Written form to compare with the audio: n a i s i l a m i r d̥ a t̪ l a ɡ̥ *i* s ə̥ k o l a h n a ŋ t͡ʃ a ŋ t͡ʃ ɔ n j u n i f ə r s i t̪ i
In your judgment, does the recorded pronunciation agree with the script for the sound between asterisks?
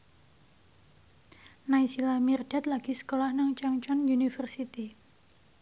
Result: yes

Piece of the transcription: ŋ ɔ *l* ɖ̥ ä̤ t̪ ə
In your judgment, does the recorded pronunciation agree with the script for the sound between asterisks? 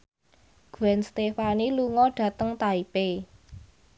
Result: no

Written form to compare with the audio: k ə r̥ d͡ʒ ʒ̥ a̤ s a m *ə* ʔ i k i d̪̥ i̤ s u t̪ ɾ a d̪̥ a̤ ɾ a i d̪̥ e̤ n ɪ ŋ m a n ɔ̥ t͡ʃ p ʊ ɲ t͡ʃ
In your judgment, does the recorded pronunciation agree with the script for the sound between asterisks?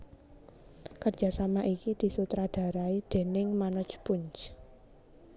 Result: no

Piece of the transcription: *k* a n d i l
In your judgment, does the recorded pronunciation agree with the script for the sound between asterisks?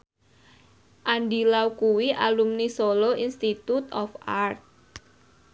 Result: no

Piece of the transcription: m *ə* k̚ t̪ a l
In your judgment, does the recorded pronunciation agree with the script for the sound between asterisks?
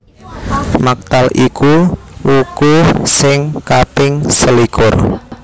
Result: no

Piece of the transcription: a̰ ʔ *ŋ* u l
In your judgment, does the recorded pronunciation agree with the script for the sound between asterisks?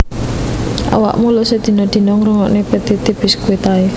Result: no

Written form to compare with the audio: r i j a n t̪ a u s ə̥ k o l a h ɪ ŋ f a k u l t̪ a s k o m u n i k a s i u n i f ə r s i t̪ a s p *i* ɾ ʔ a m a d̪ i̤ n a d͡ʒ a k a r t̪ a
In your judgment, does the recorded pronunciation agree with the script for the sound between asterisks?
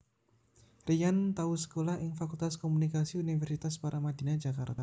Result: no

